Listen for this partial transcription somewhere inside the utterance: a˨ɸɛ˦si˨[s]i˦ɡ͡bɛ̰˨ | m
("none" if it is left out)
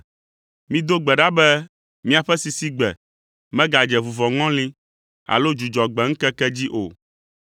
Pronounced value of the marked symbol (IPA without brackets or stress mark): s